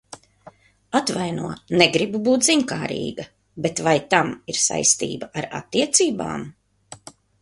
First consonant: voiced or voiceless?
voiceless